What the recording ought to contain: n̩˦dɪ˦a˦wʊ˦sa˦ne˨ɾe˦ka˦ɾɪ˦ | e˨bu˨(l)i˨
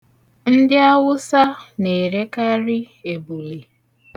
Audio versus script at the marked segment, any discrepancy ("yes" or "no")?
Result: no